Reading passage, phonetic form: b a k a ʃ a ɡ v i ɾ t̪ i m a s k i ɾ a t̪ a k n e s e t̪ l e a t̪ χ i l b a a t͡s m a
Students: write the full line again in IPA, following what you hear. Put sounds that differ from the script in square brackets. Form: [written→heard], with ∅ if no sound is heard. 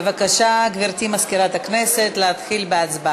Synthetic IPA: [b→v] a k a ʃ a ɡ v i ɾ t̪ i m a s k i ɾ a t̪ a k n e s e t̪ l e a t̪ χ i l b [a→e] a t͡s [m→b] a